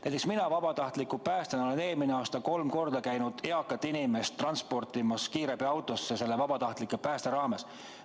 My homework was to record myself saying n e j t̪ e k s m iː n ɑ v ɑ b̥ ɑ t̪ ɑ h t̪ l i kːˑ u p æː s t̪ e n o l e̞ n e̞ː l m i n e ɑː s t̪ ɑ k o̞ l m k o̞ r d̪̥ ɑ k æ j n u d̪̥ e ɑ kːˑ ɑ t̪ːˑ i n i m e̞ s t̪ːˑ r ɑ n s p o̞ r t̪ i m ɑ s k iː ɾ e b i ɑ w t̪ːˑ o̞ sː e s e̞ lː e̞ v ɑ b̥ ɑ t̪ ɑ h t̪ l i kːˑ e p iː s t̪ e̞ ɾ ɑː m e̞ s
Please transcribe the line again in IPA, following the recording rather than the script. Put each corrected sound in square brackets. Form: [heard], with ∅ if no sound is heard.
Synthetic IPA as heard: n [æ] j t̪ e k s m [i] n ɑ v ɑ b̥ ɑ t̪ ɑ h t̪ l i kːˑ u p æː s t̪ e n o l e̞ n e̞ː l m i n e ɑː s t̪ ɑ k o̞ l m k o̞ r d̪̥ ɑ k æ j n u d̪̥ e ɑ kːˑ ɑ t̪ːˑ i n i m e̞ s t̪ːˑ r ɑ n s p o̞ r t̪ i m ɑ s k iː ɾ e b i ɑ w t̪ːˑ o̞ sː e s e̞ lː e̞ v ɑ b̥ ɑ t̪ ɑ h t̪ l i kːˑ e p [æː] s t̪ e̞ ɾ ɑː m e̞ s